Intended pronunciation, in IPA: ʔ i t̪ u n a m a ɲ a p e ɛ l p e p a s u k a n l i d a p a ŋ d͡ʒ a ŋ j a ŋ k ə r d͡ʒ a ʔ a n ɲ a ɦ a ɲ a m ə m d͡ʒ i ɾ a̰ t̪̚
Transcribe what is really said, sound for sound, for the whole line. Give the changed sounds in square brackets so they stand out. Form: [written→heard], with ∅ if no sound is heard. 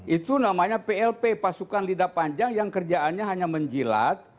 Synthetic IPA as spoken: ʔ i t̪ u n a m a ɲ a p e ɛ l p e p a s u k a n l i d a p a [ŋ→ɲ] d͡ʒ a ŋ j a ŋ k ə r d͡ʒ a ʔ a n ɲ a ɦ a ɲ a m ə [m→ɲ] d͡ʒ i [ɾ→l] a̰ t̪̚